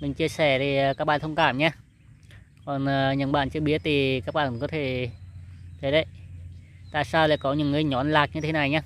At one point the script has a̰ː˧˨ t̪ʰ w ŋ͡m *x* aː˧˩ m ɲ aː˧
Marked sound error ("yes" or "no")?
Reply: yes